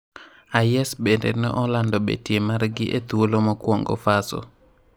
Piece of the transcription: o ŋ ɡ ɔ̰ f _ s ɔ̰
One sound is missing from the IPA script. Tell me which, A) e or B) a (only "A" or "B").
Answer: B